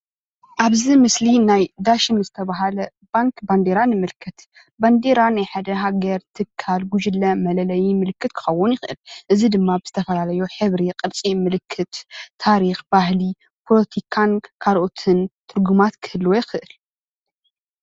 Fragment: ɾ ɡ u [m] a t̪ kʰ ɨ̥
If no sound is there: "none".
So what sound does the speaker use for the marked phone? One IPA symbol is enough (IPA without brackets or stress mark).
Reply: m